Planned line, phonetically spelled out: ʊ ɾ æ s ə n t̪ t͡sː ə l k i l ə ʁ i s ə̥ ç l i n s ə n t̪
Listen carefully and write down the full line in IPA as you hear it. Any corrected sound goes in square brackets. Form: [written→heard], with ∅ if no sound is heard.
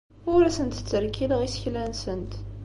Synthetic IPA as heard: ʊ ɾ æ s ə n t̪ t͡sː ə [l→ɾ] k i l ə ʁ i s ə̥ ç l [i→æ] n s ə n t̪